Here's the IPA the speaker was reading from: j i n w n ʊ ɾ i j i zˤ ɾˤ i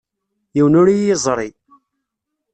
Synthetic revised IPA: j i w n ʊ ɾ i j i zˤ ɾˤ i